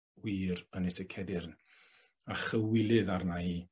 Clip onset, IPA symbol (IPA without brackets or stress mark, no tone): w